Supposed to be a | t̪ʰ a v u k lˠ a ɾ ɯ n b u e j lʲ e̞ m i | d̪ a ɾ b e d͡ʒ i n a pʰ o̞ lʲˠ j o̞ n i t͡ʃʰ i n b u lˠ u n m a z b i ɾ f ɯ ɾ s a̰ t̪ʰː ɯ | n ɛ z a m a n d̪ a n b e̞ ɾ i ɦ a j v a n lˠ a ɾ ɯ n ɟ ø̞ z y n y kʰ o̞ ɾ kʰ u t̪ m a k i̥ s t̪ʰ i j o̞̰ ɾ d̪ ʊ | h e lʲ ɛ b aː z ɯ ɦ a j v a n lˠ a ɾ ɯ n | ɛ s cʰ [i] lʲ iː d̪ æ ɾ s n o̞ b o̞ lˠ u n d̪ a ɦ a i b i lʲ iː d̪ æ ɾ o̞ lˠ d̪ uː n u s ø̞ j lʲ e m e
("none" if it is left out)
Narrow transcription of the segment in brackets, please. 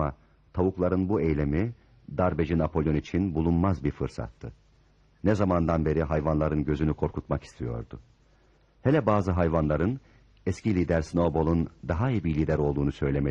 i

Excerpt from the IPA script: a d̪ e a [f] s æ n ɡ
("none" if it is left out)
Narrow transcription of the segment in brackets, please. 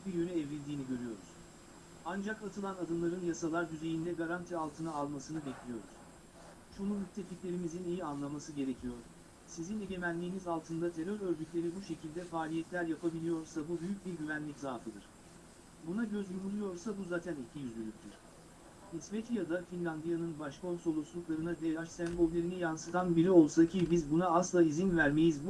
ʃ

